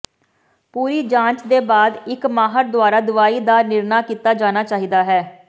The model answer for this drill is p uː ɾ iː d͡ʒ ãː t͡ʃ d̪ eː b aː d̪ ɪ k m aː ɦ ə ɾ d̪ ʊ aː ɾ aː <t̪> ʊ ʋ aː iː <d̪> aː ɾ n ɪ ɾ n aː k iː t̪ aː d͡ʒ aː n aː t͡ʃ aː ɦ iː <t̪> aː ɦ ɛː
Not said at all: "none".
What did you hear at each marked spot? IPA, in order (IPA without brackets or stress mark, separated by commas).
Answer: d̪, d̪, d̪